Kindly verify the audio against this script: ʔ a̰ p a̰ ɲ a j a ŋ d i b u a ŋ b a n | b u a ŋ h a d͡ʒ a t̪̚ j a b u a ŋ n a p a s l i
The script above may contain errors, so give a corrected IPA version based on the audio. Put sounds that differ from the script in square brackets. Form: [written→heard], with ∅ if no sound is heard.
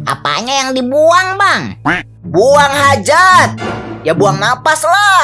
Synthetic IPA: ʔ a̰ p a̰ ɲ a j a ŋ d i b u a ŋ b a [n→ŋ] | b u a ŋ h a d͡ʒ a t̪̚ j a b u a ŋ n a p a s l [i→a]